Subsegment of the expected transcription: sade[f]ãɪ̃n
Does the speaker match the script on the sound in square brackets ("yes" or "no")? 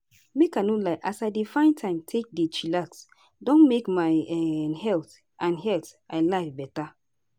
yes